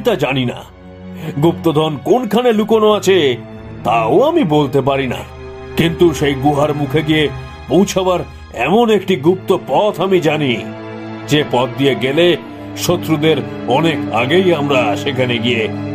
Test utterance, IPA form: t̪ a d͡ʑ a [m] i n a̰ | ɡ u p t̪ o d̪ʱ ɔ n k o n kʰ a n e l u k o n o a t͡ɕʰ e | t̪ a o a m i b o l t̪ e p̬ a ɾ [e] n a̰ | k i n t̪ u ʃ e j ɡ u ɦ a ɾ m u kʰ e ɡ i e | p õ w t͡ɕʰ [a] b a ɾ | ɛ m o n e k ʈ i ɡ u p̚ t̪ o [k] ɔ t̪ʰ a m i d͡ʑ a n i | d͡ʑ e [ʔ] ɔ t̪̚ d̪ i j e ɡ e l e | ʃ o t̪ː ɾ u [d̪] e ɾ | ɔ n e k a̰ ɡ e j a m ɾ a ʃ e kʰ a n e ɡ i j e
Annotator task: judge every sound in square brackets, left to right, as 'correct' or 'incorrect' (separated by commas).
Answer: incorrect, incorrect, correct, incorrect, incorrect, correct